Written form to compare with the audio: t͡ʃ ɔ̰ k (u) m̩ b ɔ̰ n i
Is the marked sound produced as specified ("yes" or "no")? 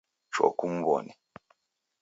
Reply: yes